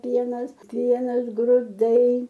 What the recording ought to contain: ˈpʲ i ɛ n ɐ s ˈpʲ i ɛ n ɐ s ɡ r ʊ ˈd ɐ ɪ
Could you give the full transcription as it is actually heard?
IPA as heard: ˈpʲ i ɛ n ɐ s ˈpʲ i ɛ n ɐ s ɡ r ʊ ˈd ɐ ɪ